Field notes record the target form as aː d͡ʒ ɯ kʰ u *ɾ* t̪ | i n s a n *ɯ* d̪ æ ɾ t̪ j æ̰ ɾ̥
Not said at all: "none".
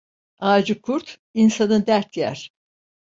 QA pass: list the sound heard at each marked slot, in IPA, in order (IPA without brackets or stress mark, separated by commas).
ɾ, ɯ